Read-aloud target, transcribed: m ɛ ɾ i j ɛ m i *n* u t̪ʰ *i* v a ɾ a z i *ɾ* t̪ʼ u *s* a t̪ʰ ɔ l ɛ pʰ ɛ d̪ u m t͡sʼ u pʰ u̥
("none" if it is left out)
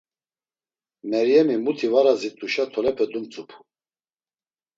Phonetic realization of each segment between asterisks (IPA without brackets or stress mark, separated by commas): m, i, none, ʃ